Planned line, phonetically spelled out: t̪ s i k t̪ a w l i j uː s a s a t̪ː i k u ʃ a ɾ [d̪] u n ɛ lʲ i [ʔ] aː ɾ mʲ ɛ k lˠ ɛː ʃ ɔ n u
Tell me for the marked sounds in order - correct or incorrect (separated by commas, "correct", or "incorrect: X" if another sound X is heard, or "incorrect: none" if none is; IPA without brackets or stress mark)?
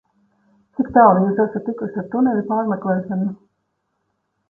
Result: incorrect: t̪, incorrect: p